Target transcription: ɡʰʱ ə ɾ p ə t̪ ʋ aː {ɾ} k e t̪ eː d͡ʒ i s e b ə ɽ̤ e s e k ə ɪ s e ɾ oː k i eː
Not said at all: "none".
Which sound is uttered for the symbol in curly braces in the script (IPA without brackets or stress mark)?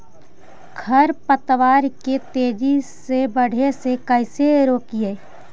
ɾ